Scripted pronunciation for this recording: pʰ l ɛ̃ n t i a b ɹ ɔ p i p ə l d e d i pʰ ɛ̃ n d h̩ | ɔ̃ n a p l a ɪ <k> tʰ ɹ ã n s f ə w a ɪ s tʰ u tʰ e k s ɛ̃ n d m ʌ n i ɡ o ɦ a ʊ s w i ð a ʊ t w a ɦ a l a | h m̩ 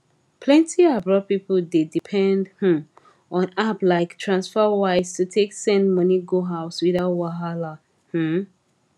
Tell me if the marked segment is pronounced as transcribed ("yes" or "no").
yes